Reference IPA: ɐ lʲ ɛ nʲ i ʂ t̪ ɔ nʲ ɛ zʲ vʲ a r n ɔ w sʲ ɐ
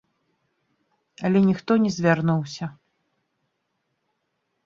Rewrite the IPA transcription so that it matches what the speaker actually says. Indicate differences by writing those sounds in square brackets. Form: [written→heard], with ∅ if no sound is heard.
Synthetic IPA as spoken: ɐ lʲ ɛ nʲ i [ʂ→x] t̪ ɔ nʲ ɛ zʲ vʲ a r n [ɔ→u] w sʲ ɐ